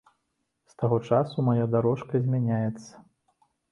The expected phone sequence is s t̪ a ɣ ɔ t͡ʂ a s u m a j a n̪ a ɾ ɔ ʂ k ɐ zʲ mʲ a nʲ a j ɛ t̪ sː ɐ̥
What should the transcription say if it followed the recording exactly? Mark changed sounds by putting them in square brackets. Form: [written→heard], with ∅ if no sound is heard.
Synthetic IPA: s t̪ a ɣ ɔ t͡ʂ a s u m a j a [n̪→d̪] a ɾ ɔ ʂ k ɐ zʲ mʲ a nʲ a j ɛ t̪ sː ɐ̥